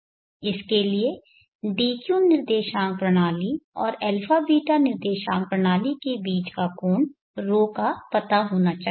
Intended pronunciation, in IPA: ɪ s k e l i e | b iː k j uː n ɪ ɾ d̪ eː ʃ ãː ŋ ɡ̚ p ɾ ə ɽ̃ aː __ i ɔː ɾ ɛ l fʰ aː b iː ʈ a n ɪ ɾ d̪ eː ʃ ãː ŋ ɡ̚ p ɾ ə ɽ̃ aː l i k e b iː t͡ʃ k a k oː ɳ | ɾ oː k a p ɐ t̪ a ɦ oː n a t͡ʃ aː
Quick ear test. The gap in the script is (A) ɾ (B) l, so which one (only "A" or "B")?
B